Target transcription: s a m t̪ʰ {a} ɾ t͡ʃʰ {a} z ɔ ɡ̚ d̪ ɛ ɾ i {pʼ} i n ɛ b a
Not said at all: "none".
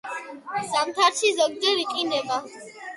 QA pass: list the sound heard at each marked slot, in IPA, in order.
a, i, qʼ

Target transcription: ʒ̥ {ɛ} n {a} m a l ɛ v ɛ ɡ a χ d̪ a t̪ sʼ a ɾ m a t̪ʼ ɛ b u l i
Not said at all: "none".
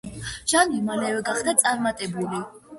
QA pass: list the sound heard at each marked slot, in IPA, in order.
a, i

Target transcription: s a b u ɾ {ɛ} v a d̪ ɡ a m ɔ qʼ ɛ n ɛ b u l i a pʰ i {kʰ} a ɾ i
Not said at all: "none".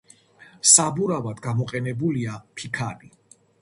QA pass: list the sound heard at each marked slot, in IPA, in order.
a, kʰ

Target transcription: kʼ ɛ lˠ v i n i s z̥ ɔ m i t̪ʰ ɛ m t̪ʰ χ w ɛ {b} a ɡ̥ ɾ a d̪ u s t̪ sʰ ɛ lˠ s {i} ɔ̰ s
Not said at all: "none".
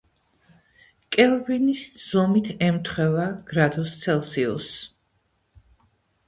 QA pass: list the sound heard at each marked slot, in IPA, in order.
v, i

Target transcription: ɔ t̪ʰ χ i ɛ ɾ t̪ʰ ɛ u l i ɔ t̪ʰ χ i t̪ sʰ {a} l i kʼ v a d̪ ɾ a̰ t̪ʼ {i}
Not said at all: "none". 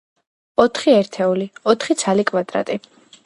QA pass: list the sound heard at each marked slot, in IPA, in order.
a, i

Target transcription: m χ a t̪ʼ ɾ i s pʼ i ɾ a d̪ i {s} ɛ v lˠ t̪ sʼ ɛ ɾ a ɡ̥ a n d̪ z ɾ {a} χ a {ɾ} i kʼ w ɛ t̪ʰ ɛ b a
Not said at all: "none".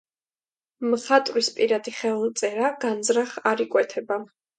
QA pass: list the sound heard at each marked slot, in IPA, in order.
χ, a, ɾ

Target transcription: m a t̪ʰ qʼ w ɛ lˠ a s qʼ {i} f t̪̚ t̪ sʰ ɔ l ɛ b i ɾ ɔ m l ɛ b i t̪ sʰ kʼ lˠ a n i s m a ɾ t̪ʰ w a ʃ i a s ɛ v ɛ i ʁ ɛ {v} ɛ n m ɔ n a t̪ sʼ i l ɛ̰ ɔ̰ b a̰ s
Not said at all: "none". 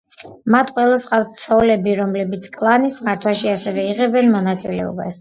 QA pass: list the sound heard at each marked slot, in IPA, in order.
a, b

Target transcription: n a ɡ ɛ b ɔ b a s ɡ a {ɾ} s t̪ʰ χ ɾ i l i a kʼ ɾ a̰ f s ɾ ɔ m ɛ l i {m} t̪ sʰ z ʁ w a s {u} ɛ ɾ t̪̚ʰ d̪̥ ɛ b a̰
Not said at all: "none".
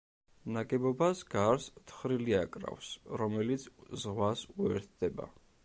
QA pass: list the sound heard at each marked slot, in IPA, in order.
ɾ, none, u

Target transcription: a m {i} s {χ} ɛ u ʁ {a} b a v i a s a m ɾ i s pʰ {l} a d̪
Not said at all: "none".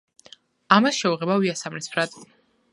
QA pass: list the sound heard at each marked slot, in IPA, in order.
a, ʃ, ɛ, ɾ

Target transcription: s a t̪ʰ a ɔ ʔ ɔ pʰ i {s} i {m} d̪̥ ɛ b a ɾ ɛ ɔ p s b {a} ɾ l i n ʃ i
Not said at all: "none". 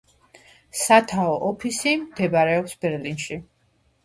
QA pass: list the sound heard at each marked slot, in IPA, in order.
s, m, ɛ

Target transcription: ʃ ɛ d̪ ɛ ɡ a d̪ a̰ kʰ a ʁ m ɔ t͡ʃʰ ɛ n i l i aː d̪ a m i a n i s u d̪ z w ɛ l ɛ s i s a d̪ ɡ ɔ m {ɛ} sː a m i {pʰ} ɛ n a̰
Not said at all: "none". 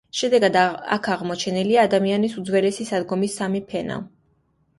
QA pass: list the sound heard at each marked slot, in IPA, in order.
i, pʰ

